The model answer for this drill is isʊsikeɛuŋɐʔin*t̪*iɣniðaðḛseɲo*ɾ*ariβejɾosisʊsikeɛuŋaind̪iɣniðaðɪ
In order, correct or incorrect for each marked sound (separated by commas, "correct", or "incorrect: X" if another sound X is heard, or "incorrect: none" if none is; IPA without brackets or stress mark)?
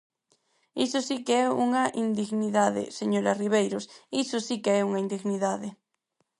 incorrect: d̪, correct